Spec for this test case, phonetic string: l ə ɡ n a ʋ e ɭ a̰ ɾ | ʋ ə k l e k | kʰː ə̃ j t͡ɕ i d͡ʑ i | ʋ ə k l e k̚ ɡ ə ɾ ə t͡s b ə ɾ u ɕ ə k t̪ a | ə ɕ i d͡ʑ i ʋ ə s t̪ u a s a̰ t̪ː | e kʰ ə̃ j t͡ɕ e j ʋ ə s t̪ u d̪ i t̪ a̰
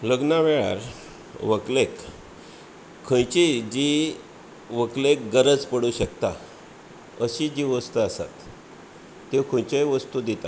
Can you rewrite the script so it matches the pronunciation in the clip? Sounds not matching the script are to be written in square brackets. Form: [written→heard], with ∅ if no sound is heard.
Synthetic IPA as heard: l ə ɡ n a ʋ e ɭ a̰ ɾ | ʋ ə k l e k | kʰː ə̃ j t͡ɕ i d͡ʑ i | ʋ ə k l e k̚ ɡ ə ɾ ə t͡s [b→p] ə [ɾ→ɽ] u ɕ ə k t̪ a | ə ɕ i d͡ʑ i ʋ ə s t̪ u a s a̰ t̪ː | e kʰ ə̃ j t͡ɕ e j ʋ ə s t̪ u d̪ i t̪ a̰